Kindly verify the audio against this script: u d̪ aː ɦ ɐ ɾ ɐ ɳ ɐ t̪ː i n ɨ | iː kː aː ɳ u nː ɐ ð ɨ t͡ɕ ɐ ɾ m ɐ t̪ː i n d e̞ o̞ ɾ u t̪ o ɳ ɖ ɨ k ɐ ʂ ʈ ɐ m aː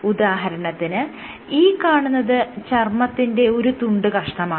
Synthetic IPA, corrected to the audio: u d̪ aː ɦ ɐ ɾ ɐ ɳ ɐ t̪ː i n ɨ | iː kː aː ɳ u nː ɐ ð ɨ t͡ɕ ɐ r m ɐ t̪ː i n d e̞ o̞ ɾ u t̪ u ɳ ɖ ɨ k ɐ ʂ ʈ ɐ m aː